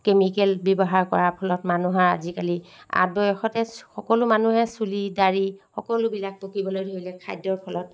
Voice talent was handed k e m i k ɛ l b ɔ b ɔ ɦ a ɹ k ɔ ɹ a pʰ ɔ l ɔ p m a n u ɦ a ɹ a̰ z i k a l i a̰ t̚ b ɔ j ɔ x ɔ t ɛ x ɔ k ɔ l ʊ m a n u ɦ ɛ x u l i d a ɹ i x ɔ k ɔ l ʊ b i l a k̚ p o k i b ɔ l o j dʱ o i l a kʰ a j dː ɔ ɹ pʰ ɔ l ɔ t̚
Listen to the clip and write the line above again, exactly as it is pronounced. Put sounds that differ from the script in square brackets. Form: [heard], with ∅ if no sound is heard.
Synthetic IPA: k e m i k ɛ l b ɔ b ɔ ɦ a ɹ k ɔ ɹ a pʰ ɔ l ɔ [t] m a n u ɦ a ɹ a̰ z i k a l i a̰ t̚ b ɔ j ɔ x ɔ t ɛ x ɔ k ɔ l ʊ m a n u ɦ ɛ [s] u l i d a ɹ i x ɔ k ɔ l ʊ b i l a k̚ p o k i b ɔ l o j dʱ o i l [ɛ] kʰ a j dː ɔ ɹ pʰ ɔ l ɔ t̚